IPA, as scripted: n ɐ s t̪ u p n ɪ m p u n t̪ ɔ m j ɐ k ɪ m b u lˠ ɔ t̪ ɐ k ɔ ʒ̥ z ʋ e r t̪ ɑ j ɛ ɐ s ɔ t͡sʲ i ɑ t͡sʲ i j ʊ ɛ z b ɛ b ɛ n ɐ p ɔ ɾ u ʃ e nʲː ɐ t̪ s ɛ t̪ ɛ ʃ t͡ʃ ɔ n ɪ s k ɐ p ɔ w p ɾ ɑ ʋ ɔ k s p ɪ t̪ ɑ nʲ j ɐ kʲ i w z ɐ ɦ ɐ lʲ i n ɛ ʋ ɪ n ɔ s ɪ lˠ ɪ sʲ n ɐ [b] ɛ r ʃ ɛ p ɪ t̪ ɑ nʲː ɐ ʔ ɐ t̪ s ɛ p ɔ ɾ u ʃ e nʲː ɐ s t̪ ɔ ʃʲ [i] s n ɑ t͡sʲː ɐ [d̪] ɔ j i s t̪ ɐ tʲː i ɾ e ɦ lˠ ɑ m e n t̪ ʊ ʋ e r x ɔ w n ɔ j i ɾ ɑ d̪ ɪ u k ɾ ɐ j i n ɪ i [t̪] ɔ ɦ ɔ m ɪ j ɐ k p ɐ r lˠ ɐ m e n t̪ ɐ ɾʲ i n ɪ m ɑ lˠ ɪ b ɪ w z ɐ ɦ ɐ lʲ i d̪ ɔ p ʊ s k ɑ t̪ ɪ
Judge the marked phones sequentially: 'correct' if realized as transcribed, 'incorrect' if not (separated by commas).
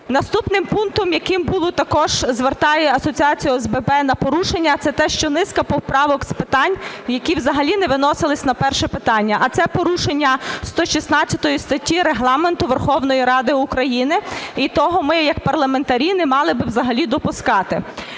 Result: incorrect, correct, incorrect, correct